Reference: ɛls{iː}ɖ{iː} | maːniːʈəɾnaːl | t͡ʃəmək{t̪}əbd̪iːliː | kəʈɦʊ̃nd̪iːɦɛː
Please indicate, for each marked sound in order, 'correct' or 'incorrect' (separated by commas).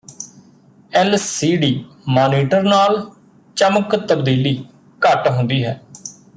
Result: correct, correct, correct